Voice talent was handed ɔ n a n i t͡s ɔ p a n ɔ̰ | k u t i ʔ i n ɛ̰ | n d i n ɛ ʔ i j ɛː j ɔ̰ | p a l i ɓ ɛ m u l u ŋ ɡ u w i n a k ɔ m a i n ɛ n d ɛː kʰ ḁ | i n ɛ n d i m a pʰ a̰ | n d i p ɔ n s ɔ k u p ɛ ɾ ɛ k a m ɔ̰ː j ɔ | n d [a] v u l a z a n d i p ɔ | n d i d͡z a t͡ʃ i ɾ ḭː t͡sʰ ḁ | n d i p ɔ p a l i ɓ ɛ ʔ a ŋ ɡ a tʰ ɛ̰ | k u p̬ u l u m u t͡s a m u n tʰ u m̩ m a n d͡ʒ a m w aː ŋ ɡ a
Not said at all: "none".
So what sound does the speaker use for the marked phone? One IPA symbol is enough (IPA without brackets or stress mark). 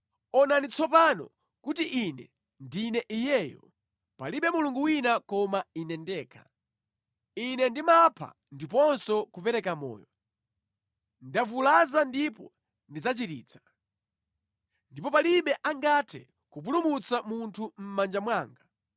a